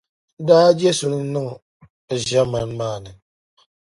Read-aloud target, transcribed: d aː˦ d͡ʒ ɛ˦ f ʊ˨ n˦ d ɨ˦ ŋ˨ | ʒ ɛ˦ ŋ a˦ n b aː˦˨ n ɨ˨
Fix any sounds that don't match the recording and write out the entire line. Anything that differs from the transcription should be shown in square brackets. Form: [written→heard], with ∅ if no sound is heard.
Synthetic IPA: d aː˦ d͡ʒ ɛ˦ [f→s] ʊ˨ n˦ [d→n] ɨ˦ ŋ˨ | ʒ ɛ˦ [ŋ→m] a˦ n [b→m] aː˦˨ n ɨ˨